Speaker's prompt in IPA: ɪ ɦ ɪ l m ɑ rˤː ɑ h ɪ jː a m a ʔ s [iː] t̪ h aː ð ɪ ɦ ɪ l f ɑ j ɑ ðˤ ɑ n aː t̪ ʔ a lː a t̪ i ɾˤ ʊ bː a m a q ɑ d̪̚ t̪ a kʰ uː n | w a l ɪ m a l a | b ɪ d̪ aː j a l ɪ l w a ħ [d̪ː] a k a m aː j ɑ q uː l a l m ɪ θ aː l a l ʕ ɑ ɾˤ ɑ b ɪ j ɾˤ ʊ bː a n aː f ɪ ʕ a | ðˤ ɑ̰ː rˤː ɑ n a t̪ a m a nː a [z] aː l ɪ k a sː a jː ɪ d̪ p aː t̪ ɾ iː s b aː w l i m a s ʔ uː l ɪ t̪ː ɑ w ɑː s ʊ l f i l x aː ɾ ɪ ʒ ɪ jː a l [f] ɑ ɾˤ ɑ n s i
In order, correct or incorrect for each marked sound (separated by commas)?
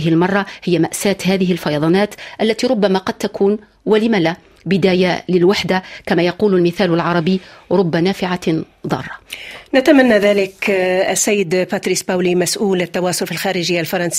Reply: incorrect, incorrect, incorrect, correct